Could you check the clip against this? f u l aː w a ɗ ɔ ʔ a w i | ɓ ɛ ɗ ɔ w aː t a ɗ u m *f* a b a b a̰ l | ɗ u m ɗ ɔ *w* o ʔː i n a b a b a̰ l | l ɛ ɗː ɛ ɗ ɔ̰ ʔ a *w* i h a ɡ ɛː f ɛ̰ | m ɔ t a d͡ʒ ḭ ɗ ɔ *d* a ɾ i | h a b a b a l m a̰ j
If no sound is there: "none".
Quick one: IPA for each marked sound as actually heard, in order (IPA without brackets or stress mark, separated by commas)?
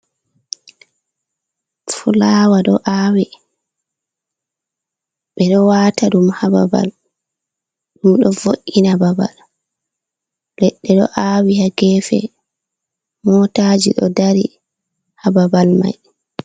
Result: h, v, w, d